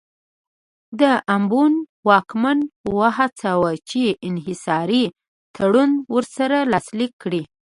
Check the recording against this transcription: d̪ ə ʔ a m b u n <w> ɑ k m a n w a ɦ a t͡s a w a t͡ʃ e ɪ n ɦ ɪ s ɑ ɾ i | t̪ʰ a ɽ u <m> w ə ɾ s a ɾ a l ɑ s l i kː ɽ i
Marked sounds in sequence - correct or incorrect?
correct, incorrect

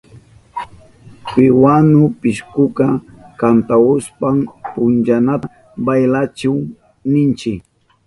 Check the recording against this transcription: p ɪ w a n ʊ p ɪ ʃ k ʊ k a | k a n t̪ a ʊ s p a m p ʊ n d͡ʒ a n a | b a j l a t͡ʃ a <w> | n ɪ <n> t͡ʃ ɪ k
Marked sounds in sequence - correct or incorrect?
correct, correct

